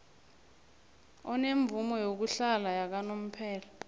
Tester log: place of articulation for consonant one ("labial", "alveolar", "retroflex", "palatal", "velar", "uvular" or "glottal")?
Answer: alveolar